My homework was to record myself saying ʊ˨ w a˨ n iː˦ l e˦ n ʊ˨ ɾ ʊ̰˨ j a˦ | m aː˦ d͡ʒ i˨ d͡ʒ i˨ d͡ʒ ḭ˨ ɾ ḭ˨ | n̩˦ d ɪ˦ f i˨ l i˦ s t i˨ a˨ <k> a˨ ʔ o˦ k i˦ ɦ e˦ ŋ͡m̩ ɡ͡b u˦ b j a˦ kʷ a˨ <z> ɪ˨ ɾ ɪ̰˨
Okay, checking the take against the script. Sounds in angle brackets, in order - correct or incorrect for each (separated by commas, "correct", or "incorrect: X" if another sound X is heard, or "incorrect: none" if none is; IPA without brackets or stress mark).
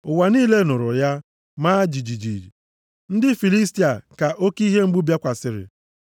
correct, incorrect: s